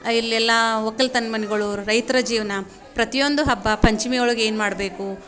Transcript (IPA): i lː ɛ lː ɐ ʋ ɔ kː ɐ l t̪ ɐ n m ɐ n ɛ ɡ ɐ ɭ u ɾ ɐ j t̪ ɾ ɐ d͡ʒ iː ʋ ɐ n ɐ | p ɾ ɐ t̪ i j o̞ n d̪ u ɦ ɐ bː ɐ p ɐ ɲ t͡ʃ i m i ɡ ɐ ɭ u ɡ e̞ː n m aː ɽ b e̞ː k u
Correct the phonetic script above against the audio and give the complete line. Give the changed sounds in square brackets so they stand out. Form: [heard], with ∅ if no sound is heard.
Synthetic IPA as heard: i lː ɛ lː ɐ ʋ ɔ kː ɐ l t̪ ɐ n m ɐ n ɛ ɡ ɐ ɭ u ɾ ɐ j t̪ ɾ ɐ d͡ʒ iː ʋ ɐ n ɐ | p ɾ ɐ t̪ i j o̞ n d̪ u ɦ ɐ bː ɐ p ɐ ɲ t͡ʃ i m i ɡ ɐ ɭ u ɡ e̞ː n m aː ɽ b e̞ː k u